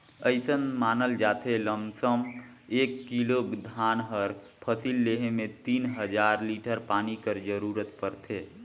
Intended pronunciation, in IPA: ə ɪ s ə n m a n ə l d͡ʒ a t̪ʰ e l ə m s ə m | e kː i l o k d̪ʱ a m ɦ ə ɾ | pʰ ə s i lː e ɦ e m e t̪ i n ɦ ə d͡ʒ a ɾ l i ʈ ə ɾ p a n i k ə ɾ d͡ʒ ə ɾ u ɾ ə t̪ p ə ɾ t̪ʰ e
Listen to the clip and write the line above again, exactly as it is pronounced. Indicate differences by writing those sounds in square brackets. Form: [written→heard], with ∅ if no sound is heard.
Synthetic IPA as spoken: ə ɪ s ə n m a n ə l d͡ʒ a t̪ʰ e l ə m s ə m | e kː i l o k d̪ʱ a [m→n] ɦ ə ɾ | pʰ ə s i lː e ɦ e m e t̪ i n ɦ ə d͡ʒ a ɾ l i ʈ ə ɾ p a n i k ə ɾ d͡ʒ ə ɾ u ɾ ə t̪ p ə ɾ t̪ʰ e